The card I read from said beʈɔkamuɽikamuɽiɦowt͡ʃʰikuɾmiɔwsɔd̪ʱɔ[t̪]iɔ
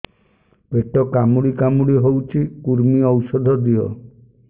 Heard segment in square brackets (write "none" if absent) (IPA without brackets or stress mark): d̪